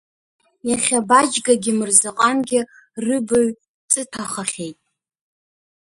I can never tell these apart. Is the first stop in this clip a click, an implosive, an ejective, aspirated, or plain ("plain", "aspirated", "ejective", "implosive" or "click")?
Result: plain